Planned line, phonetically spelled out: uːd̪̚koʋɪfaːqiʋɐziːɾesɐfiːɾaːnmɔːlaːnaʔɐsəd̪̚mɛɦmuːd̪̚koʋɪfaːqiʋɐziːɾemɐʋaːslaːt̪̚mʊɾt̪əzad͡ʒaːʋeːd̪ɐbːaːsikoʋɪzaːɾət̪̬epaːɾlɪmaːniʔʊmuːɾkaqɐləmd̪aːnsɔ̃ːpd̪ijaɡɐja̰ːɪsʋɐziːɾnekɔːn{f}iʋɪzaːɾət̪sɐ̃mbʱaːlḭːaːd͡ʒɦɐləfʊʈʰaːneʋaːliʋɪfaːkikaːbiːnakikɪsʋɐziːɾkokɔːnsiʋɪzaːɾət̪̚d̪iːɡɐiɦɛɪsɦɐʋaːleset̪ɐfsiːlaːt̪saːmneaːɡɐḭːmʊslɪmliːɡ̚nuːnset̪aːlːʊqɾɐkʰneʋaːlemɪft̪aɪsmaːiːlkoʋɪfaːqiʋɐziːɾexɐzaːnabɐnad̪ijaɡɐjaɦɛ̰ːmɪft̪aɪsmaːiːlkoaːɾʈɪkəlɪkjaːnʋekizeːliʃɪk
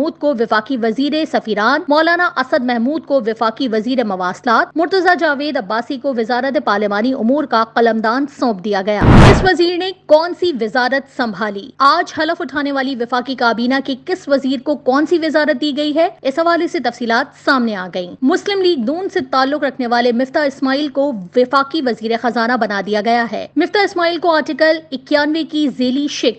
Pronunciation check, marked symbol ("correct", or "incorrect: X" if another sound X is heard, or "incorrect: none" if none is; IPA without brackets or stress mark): incorrect: s